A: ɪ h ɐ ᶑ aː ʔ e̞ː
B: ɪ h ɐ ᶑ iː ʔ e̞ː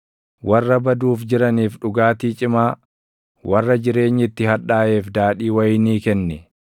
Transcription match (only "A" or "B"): A